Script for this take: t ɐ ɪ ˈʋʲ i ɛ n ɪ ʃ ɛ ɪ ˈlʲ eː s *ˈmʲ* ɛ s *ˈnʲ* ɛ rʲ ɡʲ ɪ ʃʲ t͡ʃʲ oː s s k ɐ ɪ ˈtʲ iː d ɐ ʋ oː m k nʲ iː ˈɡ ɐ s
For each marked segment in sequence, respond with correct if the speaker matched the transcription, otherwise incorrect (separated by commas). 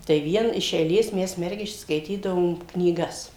correct, incorrect